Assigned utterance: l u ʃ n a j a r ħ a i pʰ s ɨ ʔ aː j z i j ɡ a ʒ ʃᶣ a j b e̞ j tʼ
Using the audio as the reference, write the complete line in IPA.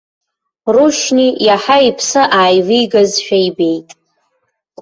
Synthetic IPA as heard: r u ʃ n i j a ħ a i pʰ s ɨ ʔ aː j v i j ɡ a z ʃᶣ a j b e̞ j tʼ